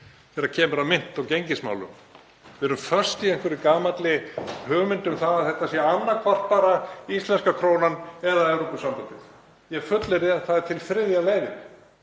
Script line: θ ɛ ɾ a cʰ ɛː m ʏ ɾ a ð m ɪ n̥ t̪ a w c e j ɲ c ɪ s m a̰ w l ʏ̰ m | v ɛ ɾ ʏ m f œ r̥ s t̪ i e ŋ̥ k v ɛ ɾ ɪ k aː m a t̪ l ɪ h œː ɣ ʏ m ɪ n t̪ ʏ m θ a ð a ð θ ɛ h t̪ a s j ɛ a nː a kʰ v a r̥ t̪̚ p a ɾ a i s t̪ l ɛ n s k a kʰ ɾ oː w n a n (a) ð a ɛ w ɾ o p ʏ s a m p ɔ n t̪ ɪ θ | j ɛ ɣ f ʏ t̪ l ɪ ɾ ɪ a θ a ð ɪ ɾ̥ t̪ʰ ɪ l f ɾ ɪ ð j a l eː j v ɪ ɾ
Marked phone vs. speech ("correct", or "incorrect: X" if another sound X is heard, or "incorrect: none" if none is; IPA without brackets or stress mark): incorrect: ɛ